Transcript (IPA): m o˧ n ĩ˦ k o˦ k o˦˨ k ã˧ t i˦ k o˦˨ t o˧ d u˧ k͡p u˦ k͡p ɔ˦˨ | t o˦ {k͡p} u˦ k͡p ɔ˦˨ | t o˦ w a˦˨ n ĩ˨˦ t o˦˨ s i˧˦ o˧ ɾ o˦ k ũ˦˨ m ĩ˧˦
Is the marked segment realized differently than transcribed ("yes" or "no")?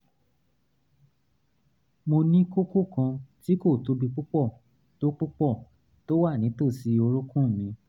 no